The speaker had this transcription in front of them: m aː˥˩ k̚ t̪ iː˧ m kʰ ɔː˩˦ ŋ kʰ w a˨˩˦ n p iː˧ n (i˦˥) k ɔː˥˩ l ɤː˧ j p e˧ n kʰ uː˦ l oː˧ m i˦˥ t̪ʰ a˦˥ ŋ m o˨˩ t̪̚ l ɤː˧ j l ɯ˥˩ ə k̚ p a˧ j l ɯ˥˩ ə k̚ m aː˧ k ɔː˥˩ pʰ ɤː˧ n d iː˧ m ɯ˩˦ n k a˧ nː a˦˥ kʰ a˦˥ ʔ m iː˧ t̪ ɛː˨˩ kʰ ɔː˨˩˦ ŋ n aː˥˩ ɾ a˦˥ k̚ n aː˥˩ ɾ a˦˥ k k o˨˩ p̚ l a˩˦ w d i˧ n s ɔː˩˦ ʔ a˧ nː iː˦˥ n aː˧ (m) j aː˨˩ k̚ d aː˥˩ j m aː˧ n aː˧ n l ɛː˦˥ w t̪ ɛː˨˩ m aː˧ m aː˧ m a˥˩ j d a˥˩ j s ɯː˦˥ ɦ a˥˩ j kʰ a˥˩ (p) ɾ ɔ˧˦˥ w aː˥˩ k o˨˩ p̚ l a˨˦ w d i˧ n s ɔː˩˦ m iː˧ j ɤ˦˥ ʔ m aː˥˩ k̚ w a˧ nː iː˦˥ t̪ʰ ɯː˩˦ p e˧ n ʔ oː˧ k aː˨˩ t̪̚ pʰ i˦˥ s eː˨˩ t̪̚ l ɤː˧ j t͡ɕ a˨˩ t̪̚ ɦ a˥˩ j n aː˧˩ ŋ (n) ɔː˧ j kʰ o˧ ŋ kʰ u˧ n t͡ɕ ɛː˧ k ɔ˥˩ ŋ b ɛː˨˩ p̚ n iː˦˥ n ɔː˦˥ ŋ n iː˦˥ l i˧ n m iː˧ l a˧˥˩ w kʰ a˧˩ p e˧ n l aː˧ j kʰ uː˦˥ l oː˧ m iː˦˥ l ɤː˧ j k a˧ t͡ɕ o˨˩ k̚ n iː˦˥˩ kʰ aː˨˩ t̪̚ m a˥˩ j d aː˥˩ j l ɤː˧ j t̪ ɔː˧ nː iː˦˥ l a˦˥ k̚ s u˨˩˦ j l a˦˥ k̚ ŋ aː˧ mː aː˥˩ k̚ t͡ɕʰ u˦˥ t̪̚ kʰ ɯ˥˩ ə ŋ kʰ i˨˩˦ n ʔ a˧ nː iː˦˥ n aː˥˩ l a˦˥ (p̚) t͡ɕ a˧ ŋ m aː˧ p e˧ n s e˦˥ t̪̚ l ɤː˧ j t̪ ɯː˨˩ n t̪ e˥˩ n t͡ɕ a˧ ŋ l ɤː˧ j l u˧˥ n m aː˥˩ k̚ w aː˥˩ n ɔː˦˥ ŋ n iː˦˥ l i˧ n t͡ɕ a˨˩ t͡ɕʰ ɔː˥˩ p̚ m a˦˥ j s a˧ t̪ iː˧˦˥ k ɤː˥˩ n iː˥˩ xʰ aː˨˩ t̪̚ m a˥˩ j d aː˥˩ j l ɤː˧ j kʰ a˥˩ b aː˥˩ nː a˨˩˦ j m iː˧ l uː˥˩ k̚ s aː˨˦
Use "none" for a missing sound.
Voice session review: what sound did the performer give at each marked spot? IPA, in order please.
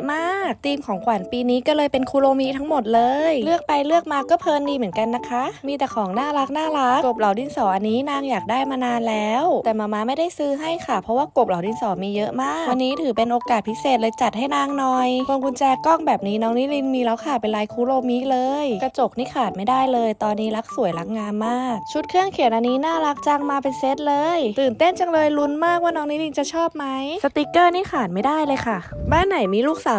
iː˦˥, ŋ, pʰ, n, k̚

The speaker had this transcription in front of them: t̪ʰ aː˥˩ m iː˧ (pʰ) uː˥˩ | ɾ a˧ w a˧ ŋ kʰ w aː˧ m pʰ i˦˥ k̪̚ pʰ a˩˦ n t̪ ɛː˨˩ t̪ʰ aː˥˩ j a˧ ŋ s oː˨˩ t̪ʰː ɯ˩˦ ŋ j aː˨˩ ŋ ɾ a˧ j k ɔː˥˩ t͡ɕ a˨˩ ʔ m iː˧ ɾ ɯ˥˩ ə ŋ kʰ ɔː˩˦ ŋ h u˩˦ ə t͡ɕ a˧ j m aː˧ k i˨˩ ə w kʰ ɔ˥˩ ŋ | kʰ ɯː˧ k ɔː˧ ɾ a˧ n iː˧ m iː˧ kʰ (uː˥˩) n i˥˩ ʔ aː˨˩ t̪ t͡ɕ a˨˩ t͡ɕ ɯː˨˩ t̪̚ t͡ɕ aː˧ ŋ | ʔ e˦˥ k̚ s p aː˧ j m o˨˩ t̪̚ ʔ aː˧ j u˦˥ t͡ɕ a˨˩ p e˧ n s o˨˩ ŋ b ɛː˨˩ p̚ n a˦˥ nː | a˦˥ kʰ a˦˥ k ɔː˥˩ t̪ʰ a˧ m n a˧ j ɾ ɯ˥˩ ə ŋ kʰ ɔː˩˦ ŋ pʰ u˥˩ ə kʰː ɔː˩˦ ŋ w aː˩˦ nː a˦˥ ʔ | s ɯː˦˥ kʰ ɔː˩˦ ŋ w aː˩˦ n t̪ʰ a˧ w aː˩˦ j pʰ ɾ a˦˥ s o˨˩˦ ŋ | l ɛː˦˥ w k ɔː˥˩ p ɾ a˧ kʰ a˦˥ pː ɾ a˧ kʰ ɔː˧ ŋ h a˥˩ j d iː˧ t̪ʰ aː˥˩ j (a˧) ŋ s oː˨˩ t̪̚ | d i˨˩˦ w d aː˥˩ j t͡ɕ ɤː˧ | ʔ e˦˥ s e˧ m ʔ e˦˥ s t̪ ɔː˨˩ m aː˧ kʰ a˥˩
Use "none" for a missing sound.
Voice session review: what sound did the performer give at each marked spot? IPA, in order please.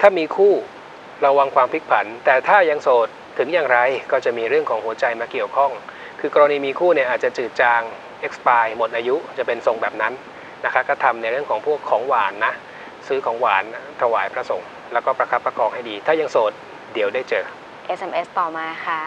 kʰ, uː˥˩, a˧

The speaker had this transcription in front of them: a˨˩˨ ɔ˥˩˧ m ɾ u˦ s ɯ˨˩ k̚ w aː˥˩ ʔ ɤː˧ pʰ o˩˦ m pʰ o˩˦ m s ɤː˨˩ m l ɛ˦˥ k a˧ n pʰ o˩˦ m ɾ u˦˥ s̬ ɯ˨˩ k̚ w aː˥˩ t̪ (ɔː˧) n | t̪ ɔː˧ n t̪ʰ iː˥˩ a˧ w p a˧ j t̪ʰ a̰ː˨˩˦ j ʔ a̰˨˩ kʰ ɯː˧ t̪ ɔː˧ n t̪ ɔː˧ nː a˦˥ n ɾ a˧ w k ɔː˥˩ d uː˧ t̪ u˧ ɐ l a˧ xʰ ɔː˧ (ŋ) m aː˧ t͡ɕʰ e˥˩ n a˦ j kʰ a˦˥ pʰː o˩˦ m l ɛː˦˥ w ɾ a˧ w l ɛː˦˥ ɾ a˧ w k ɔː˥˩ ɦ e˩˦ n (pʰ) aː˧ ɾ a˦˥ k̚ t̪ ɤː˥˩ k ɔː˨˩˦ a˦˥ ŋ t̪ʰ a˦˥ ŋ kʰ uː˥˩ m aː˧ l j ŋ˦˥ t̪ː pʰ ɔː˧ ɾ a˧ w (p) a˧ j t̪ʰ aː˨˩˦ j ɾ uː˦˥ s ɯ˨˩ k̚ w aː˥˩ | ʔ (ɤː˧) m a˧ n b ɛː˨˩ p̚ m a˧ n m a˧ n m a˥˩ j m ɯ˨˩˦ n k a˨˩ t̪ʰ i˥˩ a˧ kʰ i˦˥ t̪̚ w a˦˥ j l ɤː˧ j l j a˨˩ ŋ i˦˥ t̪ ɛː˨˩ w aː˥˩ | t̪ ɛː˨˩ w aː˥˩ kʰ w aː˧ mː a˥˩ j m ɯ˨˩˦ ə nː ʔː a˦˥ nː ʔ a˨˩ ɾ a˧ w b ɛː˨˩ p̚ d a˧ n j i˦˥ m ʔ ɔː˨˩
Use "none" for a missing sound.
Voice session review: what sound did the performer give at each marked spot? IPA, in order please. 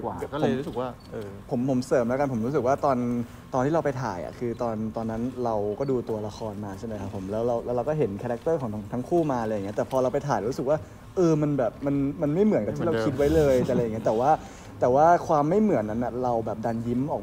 ɔː˧, n, kʰ, p, ɤː˧

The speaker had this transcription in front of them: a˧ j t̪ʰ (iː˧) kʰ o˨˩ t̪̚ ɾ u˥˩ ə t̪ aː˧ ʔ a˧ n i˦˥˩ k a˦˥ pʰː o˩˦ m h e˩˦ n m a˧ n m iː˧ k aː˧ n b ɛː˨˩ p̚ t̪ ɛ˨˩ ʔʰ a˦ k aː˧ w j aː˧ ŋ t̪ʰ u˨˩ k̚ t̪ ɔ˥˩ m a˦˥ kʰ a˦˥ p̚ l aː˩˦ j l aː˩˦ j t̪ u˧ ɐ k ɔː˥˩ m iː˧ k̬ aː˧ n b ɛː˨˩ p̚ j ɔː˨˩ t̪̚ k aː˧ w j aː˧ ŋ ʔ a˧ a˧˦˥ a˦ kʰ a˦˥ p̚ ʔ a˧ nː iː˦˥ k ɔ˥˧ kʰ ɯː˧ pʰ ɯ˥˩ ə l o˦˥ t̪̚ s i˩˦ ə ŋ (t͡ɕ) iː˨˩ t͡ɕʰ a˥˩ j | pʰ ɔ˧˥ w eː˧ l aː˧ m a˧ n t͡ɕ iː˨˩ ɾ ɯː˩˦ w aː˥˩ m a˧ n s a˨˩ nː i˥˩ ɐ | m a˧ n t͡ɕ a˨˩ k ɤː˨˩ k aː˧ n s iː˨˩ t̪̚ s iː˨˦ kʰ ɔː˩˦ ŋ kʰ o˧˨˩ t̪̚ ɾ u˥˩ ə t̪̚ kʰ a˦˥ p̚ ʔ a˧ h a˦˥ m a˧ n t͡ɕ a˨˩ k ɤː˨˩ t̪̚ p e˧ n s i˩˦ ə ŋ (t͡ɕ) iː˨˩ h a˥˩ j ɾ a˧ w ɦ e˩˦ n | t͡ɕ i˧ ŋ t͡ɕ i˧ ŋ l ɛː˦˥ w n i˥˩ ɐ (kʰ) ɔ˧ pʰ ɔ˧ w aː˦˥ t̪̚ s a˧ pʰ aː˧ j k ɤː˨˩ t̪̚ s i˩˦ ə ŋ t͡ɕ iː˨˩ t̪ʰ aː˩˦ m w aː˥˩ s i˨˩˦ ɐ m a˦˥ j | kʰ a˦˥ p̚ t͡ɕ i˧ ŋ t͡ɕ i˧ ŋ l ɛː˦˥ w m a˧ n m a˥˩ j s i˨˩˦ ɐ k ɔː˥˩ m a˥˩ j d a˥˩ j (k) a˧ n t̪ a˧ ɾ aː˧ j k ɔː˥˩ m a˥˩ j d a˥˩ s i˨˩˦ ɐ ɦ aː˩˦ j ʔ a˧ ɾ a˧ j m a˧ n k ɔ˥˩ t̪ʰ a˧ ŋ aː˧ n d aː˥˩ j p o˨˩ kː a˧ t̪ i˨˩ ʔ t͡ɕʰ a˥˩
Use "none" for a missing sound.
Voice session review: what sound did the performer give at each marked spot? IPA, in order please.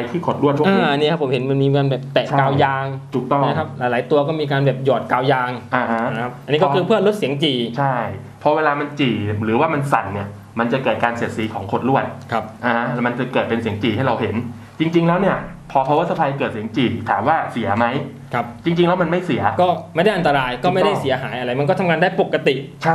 iː˥˩, t͡ɕ, t͡ɕ, pʰ, ʔ

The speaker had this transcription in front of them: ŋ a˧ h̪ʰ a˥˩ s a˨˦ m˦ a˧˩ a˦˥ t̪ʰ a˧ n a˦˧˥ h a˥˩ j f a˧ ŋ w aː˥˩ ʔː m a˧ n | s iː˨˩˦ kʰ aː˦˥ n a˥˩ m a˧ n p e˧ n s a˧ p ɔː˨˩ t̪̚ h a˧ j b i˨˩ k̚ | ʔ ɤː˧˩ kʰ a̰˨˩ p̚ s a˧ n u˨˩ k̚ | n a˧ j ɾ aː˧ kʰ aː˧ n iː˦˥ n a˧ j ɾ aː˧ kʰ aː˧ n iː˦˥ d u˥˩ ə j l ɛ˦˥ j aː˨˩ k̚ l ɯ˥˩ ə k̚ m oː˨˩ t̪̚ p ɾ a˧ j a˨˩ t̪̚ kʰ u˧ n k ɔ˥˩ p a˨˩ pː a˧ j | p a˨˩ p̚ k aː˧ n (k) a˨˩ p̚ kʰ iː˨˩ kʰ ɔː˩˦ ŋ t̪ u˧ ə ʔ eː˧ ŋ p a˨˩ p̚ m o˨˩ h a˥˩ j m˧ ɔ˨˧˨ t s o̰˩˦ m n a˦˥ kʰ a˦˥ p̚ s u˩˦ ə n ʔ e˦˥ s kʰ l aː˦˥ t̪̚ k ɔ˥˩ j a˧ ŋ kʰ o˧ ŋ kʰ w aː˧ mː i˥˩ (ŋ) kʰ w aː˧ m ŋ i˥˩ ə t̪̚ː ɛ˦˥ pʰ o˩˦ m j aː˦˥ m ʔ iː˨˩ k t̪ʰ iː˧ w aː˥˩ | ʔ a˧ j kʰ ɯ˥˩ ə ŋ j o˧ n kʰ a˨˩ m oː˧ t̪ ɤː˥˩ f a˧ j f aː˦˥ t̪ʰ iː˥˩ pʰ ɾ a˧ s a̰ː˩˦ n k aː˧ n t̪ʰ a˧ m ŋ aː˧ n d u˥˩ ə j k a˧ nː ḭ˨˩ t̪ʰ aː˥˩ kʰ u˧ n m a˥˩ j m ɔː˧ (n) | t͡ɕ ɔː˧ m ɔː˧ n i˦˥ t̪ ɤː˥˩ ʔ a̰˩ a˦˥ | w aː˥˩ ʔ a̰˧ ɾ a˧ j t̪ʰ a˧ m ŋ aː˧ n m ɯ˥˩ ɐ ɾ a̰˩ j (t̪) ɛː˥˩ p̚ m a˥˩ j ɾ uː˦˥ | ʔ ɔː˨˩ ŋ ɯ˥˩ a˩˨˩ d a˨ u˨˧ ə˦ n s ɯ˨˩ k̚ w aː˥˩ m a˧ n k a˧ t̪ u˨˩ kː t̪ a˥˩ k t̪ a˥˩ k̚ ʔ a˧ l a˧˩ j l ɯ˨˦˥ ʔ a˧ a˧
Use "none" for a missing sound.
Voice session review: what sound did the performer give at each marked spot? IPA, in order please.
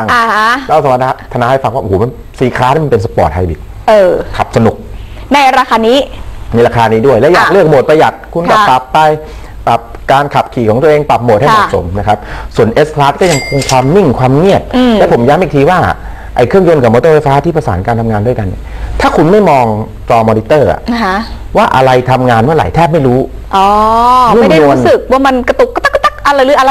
kʰ, ŋ, ŋ, t̪ʰ

